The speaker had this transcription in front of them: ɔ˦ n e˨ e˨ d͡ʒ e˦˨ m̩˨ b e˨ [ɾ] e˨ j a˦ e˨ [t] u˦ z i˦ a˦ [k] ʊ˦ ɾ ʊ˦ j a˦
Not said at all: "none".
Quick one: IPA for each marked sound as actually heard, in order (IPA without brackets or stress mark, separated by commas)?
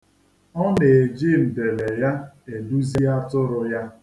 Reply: l, d, t